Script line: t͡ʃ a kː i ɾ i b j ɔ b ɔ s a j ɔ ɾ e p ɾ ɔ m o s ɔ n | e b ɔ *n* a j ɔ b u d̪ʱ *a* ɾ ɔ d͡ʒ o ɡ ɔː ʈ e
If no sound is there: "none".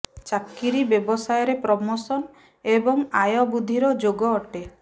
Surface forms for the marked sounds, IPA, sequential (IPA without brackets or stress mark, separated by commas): ŋ, i